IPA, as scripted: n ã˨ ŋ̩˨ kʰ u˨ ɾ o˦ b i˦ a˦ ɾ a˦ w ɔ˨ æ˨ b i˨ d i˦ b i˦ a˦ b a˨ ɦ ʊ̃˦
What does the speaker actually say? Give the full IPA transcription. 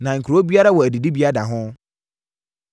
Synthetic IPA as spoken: n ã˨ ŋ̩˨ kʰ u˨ ɾ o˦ b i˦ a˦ ɾ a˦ w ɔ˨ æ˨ d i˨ d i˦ b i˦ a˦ d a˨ ɦ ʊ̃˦